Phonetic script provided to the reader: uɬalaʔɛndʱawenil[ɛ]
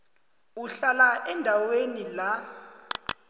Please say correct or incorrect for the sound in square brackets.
incorrect